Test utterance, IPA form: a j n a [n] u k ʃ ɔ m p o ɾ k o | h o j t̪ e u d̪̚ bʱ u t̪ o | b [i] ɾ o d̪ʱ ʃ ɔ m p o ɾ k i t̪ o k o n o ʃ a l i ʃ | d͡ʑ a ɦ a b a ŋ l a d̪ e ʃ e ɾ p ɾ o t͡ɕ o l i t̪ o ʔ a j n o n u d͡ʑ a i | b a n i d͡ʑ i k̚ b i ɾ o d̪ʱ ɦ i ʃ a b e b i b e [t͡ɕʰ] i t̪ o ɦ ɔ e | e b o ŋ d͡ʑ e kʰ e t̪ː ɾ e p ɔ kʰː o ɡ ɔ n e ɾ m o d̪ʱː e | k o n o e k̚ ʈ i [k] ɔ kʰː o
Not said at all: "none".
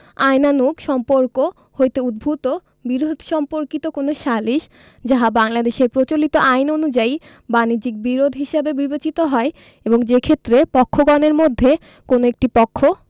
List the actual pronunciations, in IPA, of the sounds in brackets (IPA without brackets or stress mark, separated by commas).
n, i, t͡ɕ, p